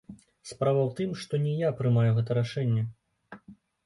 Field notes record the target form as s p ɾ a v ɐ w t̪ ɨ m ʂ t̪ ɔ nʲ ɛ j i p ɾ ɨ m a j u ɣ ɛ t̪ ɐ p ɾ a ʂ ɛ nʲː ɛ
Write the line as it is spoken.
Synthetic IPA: s p ɾ a v ɐ w t̪ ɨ m ʂ t̪ ɔ nʲ ɛ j a p ɾ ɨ m a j u ɣ ɛ t̪ ɐ ɾ a ʂ ɛ nʲː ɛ